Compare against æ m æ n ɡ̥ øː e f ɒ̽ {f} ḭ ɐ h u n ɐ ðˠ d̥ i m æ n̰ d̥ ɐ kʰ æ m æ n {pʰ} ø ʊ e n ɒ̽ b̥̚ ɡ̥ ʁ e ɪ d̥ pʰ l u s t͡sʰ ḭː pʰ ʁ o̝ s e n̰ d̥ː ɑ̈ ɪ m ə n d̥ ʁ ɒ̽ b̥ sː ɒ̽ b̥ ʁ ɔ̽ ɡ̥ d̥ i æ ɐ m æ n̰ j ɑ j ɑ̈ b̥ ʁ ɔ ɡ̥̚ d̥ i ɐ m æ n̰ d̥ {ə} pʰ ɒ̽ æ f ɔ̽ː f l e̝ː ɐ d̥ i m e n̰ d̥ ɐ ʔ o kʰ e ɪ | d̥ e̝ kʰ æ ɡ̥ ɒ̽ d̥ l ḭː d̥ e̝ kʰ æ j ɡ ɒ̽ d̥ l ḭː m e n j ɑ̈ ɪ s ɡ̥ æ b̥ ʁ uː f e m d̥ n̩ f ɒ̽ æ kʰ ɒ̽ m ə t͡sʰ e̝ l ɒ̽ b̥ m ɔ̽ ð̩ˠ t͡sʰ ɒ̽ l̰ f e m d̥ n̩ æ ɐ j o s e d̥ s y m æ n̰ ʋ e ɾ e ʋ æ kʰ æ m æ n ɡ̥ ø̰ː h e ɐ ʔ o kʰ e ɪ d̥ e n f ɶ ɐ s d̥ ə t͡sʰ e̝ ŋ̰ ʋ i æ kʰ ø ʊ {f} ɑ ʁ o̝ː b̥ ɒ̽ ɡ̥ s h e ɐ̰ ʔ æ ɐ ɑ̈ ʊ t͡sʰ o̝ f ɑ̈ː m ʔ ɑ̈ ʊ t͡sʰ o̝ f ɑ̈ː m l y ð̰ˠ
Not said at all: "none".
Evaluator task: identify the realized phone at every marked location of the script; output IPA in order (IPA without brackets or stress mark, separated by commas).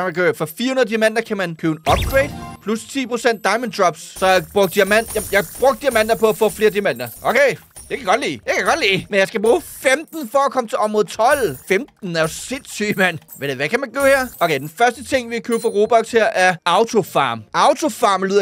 f, kʰ, ɐ, f